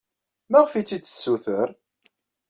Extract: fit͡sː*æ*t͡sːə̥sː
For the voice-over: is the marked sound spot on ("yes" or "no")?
no